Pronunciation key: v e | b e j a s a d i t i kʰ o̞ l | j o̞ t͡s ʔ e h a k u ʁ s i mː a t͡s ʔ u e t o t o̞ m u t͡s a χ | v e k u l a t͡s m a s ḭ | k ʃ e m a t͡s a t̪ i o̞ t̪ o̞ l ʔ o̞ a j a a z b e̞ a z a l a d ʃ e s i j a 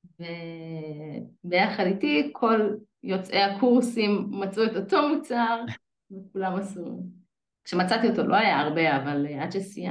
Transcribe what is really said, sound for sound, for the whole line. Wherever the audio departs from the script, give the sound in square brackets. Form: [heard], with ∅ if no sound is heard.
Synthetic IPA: v e | b e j a [χ] a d i t i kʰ o̞ l | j o̞ t͡s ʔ e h a k u ʁ s i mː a t͡s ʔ u e t o t o̞ m u t͡s a [ʁ] | v e k u l a [∅] m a s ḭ | k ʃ e m a t͡s a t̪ i o̞ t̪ o̞ l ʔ o̞ a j a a [ʁ] b e̞ a [v] a l a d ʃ e s i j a